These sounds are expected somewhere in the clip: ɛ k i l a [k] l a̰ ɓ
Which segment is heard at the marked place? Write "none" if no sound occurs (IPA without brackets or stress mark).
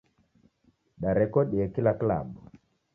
k